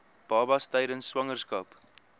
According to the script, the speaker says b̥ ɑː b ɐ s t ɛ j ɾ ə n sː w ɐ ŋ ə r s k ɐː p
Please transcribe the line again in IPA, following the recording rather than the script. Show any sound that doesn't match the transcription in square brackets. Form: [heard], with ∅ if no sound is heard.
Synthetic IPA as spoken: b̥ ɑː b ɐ s t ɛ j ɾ ə n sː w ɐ ŋ ə r s k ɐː p